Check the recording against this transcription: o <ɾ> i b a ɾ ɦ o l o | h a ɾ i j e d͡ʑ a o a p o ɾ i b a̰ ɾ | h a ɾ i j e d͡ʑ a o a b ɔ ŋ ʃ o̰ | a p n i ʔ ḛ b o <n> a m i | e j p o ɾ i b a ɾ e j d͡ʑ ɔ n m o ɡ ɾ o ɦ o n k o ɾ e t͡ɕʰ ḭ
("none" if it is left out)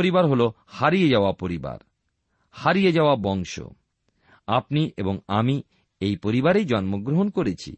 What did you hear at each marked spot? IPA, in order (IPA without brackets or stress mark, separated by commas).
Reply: ɾ, ŋ